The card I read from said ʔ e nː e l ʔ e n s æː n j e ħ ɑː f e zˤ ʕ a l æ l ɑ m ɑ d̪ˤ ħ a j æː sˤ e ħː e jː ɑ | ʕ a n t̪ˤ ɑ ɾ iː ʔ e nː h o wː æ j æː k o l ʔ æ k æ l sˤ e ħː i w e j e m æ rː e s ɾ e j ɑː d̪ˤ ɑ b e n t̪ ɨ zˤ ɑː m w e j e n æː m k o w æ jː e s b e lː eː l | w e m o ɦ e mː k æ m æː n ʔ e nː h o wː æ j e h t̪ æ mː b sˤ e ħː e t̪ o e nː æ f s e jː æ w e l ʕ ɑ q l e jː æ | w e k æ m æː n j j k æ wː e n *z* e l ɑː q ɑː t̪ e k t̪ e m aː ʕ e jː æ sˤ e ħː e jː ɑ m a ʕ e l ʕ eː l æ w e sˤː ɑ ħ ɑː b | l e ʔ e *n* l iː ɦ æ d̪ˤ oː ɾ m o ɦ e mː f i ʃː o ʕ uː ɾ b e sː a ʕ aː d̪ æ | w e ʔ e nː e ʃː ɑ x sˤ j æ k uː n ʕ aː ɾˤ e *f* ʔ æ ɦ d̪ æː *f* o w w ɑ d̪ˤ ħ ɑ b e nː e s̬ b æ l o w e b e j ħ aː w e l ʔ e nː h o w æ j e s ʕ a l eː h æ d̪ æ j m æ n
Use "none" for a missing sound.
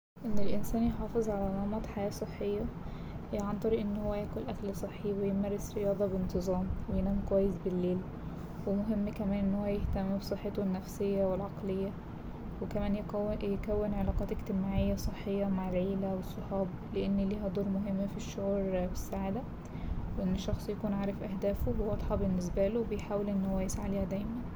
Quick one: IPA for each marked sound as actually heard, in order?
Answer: ʕ, nː, f, f

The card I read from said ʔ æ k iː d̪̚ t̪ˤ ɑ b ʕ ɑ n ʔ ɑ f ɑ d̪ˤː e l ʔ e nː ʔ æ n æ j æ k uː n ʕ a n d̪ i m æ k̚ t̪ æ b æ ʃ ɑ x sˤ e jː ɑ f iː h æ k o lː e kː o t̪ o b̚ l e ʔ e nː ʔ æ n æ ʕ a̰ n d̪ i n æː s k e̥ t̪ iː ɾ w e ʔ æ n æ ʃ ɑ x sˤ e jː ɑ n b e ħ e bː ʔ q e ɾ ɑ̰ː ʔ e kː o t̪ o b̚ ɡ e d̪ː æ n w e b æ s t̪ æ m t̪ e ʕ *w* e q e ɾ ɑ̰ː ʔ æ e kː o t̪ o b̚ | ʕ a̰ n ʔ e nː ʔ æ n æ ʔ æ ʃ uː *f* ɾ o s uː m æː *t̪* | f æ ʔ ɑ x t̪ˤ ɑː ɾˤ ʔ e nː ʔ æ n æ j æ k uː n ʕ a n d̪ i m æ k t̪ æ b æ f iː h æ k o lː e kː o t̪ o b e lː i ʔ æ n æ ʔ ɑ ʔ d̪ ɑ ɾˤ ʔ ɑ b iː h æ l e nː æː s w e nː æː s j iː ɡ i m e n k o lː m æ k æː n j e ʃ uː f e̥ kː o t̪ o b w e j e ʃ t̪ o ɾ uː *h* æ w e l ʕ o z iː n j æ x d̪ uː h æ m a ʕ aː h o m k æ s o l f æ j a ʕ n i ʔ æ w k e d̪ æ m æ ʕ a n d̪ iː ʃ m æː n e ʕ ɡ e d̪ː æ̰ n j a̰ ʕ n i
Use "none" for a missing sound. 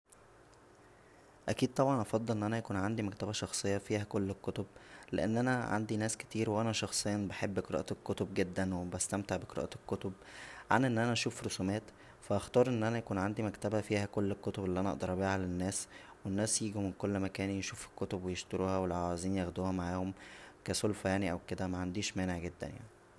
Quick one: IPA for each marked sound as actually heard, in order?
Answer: b, f, t̪, h

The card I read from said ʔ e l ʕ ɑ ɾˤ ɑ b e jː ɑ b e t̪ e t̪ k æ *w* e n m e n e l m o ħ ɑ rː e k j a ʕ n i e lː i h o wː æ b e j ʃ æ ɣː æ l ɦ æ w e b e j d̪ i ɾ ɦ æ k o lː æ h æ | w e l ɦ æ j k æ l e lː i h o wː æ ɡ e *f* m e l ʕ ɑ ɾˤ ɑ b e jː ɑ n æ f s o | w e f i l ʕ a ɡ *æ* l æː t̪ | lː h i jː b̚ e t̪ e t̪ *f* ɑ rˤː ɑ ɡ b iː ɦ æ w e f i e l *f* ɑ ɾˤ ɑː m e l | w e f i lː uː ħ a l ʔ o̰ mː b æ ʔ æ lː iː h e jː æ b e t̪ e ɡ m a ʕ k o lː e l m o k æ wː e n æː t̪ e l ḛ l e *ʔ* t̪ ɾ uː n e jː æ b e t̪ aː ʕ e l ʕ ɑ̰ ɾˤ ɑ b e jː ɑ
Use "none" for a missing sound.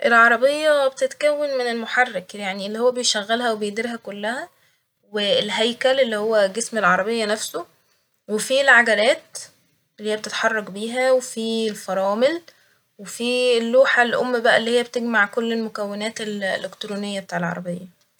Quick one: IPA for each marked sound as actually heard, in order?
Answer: wː, s, æ, ħ, f, k

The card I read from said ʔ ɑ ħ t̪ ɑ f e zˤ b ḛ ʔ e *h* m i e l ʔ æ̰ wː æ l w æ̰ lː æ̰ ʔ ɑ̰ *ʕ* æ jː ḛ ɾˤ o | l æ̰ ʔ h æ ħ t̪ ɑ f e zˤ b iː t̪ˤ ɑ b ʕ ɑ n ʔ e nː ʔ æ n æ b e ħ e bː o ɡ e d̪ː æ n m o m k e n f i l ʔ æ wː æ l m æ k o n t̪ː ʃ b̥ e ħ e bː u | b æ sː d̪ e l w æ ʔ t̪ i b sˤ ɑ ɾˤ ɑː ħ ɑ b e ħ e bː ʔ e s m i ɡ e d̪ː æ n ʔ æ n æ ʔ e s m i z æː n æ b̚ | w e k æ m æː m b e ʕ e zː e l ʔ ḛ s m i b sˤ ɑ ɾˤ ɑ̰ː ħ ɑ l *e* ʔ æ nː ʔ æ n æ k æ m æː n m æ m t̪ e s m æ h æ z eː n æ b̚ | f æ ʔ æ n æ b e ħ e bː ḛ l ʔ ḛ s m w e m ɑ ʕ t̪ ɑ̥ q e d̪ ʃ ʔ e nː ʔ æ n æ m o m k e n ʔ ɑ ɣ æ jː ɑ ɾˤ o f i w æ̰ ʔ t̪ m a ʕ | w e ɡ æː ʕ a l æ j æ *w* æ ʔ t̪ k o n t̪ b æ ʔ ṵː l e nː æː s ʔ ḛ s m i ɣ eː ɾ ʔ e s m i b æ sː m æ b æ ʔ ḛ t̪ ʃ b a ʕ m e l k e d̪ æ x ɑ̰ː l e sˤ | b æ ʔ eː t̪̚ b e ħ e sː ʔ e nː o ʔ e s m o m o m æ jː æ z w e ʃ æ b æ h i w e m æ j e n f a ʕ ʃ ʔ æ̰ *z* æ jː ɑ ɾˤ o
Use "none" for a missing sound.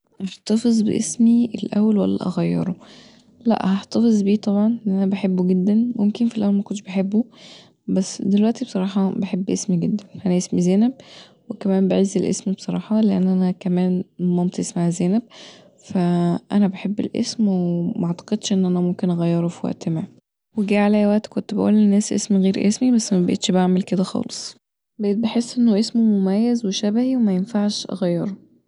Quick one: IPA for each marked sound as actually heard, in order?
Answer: s, ɣ, e, w, ɣ

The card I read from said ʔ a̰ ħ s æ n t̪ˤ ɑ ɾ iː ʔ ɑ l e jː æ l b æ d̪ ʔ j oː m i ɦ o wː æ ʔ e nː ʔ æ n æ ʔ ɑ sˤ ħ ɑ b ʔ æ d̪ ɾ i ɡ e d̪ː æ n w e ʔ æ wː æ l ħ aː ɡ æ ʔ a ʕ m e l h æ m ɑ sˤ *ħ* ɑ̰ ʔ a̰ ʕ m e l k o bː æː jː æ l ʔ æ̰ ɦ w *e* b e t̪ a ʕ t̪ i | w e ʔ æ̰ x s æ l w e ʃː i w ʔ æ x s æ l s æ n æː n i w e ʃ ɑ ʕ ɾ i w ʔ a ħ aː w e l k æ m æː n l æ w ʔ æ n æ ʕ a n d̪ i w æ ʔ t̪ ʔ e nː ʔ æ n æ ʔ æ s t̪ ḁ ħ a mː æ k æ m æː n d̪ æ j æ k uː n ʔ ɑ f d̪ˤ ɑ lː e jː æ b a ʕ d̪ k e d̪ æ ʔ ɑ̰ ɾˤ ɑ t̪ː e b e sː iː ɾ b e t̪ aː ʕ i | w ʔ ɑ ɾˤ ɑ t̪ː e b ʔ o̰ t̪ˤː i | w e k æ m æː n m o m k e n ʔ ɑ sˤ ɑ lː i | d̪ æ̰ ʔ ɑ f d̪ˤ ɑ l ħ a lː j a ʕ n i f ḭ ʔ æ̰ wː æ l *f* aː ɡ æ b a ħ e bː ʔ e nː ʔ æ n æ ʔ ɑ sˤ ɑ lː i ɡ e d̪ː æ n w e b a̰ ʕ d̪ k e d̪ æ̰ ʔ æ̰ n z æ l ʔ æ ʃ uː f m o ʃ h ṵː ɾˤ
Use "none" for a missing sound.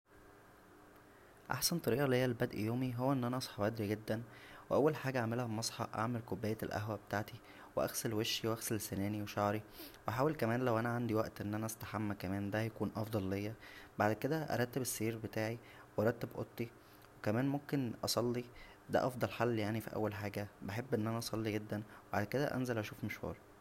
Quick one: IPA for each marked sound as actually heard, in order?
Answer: ħ, æ, ħ

